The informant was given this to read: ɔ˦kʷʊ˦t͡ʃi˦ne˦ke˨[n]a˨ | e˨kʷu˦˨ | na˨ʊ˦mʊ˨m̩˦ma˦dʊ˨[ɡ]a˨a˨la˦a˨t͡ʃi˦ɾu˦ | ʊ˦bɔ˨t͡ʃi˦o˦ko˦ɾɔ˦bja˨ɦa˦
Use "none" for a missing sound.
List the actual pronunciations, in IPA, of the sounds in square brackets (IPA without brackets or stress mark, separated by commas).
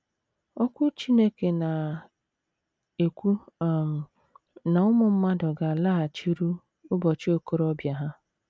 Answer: n, ɡ